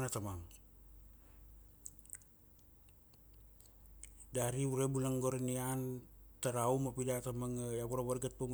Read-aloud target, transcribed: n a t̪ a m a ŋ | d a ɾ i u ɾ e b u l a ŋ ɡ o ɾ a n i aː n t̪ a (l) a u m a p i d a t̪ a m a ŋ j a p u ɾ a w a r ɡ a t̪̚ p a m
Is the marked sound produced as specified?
no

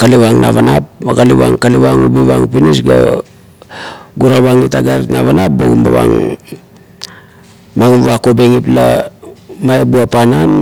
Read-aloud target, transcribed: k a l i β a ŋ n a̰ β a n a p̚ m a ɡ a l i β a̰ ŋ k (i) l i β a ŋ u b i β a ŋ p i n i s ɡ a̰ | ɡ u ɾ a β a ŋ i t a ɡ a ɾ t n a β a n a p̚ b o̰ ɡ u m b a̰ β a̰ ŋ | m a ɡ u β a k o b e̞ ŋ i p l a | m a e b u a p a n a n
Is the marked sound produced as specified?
no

